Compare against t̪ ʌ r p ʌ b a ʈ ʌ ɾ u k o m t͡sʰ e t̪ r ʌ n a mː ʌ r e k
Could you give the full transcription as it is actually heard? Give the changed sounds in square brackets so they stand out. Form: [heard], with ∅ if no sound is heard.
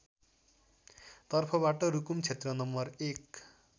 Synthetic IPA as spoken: t̪ ʌ r [pʰ] ʌ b a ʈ ʌ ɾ u k [u] m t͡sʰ e t̪ r ʌ n [ʌ] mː ʌ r e k